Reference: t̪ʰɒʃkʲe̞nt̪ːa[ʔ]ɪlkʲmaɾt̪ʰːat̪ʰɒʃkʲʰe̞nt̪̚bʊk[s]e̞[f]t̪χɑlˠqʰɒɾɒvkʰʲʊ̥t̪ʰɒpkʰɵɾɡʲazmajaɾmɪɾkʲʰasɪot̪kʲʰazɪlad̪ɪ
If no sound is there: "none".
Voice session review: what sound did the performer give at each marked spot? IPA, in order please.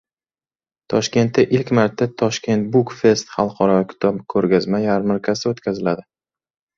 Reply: ʔ, f, s

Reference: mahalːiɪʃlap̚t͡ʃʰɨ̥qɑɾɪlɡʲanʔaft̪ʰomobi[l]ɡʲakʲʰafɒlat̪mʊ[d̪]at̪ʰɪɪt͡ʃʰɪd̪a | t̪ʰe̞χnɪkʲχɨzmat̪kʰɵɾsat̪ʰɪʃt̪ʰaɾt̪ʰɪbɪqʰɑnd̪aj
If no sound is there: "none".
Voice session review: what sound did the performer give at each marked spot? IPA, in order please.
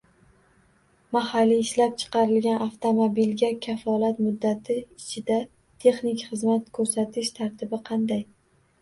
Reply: l, d̪ː

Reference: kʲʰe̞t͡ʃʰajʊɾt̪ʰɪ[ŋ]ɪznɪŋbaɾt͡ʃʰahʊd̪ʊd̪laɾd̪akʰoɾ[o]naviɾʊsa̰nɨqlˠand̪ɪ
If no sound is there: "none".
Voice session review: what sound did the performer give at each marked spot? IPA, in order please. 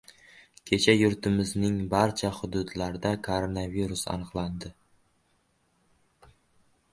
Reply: m, o

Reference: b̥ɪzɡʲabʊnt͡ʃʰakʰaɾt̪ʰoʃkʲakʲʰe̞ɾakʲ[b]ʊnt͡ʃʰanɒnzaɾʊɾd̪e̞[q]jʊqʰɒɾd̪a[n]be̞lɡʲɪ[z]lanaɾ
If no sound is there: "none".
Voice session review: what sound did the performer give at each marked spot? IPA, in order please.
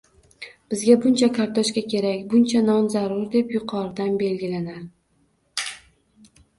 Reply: b, p, n, none

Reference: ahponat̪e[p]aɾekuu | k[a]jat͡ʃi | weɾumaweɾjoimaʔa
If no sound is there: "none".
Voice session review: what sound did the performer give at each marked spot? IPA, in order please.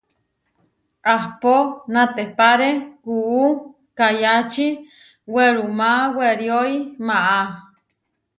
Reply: p, a

